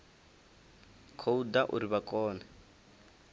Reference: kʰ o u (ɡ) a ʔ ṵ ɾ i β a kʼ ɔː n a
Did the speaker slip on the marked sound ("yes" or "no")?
yes